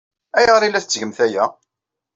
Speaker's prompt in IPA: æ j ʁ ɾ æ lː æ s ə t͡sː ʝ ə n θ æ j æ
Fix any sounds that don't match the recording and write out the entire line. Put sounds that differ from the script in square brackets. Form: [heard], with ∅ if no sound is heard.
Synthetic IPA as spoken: æ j ʁ ɾ [i] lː æ [θ] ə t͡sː ʝ ə [m] θ æ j æ